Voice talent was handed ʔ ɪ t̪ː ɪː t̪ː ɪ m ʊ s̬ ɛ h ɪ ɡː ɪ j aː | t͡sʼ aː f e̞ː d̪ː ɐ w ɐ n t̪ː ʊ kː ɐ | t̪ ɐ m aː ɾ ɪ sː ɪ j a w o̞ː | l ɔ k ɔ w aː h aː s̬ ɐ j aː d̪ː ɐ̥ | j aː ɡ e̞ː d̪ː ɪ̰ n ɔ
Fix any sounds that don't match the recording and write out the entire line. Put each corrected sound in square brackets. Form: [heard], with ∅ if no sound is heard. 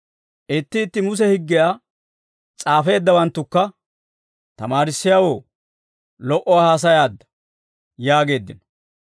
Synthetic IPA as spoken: ʔ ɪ t̪ː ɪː t̪ː ɪ m ʊ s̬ ɛ h ɪ ɡː ɪ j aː | t͡sʼ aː f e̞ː d̪ː ɐ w ɐ n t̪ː ʊ kː ɐ | t̪ ɐ m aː ɾ ɪ sː ɪ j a w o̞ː | l ɔ [ʔ] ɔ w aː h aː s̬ ɐ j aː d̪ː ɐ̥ | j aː ɡ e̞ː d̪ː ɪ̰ n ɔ